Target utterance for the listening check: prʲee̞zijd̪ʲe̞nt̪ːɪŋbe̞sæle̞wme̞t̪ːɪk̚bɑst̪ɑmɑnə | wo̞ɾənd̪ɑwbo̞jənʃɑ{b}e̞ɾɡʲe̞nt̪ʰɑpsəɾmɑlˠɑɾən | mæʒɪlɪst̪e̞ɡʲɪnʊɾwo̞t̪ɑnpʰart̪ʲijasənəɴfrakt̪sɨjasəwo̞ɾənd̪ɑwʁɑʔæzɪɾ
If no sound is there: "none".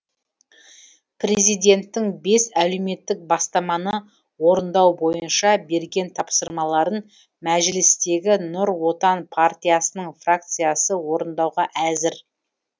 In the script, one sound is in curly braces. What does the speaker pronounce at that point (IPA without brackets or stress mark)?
b